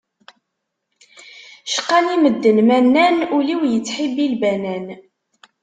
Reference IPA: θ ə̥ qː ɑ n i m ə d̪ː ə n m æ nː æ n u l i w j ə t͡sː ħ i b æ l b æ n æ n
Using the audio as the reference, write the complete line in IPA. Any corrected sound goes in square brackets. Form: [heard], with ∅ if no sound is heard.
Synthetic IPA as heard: [ʃ] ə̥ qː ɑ n i m ə d̪ː ə n m æ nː æ n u l i w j ə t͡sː ħ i b [i] l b æ n æ n